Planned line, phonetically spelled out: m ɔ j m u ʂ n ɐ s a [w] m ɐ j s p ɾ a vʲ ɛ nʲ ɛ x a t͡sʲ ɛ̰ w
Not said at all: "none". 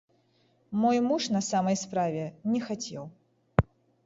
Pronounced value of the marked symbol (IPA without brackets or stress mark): none